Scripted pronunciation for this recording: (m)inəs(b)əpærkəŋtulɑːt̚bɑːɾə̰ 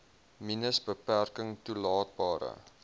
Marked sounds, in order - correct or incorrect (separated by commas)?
correct, correct